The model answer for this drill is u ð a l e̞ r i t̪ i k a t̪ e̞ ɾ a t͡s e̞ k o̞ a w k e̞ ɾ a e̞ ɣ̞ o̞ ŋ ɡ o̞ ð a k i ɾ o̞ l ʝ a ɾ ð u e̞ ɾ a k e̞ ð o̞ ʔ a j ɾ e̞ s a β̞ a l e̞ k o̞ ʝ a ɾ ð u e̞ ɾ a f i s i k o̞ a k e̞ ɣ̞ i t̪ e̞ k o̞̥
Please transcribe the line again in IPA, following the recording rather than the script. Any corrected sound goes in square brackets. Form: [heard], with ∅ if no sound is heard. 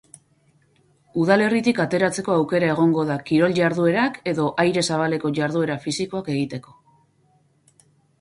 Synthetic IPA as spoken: u ð a l e̞ r i t̪ i k a t̪ e̞ ɾ a t͡s e̞ k o̞ a w k e̞ ɾ a e̞ ɣ̞ o̞ ŋ ɡ o̞ ð a k i ɾ o̞ l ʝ a ɾ ð u e̞ ɾ a k e̞ ð o̞ ʔ a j ɾ e̞ s a β̞ a l e̞ k o̞ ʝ a ɾ ð u e̞ ɾ a f i s i k o̞ a k e̞ ɣ̞ i t̪ e̞ k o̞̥